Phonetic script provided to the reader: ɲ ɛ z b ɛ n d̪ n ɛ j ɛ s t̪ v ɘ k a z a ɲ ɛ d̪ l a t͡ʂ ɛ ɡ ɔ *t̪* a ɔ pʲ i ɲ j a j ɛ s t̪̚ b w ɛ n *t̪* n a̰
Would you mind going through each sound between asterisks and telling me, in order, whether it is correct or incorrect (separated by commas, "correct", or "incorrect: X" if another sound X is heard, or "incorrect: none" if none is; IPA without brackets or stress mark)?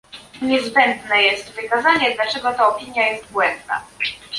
correct, incorrect: d̪